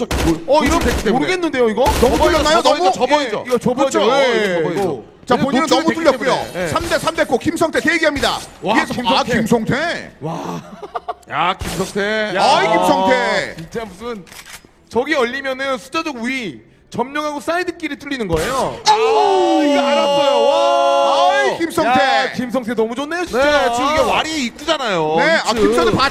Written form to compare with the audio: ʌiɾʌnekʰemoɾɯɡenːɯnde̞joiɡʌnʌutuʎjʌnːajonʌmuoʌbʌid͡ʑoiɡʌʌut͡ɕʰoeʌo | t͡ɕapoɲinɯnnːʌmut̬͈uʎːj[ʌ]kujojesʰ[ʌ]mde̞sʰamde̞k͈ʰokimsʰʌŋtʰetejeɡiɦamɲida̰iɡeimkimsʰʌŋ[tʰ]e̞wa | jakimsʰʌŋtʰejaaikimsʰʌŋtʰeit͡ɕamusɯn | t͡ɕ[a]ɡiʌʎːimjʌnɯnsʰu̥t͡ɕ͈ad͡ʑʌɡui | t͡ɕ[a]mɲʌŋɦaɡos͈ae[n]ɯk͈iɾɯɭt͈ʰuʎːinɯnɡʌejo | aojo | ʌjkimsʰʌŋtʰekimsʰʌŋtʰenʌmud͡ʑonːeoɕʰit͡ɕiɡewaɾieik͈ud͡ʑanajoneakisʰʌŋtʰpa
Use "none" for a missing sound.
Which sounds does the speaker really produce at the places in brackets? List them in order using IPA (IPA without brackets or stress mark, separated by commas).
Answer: ʌ, a, tʰ, ʌ, ʌ, d